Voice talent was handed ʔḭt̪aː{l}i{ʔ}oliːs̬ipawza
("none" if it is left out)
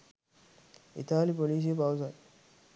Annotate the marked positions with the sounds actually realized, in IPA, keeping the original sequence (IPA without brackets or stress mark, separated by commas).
l, p